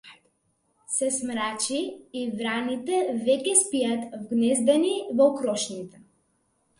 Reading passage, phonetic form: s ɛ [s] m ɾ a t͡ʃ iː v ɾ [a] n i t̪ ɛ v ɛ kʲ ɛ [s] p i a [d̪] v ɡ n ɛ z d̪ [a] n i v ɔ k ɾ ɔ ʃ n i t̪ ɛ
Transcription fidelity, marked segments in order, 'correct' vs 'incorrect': correct, correct, correct, incorrect, incorrect

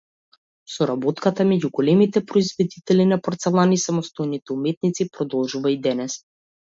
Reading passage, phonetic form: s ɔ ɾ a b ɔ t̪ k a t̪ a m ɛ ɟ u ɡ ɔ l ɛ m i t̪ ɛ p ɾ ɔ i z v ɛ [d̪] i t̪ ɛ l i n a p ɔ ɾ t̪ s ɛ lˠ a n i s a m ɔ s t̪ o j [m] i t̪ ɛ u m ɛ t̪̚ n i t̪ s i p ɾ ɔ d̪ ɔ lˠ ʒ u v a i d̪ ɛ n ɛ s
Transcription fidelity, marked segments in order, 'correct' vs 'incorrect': correct, incorrect

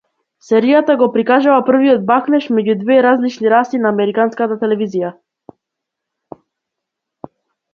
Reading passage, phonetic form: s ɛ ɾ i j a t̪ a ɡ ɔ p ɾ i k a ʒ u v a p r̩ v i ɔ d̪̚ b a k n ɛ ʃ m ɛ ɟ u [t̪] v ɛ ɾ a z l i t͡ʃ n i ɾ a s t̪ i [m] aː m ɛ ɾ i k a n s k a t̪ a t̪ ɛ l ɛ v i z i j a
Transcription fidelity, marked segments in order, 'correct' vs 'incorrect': incorrect, incorrect

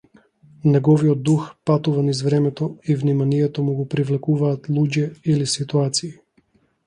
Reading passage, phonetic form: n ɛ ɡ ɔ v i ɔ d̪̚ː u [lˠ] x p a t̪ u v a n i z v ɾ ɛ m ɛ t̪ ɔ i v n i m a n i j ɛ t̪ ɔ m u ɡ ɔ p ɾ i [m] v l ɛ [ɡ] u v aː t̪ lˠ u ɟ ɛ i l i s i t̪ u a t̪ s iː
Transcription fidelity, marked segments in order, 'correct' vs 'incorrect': incorrect, incorrect, incorrect

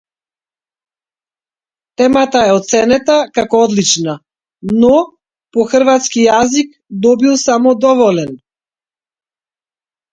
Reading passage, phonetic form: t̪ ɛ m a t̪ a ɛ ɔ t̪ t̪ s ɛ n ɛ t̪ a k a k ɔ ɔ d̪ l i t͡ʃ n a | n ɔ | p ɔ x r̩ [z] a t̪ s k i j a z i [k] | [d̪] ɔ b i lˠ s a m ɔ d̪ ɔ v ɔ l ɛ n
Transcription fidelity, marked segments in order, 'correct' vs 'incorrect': incorrect, correct, correct

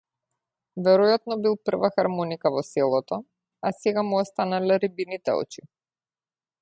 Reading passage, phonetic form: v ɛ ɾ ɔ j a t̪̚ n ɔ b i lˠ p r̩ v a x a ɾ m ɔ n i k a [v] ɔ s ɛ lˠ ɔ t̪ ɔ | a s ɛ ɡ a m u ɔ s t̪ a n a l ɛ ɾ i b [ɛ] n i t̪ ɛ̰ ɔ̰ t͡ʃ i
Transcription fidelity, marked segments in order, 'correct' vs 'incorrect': correct, incorrect

